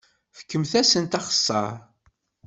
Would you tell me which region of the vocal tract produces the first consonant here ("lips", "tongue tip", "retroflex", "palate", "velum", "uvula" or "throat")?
lips